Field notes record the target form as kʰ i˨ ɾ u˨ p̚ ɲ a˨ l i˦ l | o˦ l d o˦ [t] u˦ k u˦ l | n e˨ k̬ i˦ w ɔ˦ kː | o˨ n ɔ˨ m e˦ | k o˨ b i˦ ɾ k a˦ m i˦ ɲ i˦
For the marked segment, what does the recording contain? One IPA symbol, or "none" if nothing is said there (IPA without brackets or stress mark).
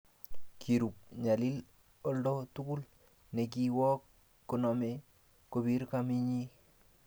t